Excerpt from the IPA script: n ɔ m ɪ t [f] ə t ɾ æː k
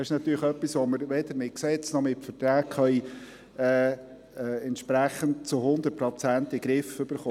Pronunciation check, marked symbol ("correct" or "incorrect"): correct